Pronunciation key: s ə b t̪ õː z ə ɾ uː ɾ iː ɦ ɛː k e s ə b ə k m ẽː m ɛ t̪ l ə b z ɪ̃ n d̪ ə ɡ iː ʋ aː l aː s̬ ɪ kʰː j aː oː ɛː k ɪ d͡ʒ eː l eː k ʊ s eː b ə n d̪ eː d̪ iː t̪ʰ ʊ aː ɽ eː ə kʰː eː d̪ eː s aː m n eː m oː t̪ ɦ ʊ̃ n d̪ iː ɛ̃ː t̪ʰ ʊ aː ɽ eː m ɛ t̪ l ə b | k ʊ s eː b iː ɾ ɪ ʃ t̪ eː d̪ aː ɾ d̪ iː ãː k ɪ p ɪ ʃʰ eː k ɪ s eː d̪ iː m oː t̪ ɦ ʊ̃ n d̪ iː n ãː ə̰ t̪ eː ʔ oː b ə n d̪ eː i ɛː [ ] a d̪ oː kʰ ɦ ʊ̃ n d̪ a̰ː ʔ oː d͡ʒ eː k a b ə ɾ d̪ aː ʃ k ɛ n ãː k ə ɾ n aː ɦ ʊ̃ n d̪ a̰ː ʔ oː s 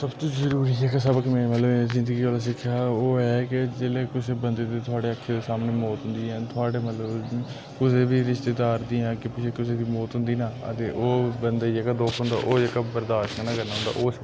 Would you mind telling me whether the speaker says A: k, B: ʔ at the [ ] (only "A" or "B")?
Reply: A